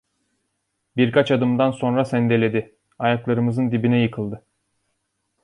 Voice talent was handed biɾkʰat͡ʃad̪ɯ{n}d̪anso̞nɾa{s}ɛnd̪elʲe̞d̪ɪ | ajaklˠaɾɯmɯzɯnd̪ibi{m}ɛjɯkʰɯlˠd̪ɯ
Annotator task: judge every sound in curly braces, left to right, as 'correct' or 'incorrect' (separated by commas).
incorrect, correct, incorrect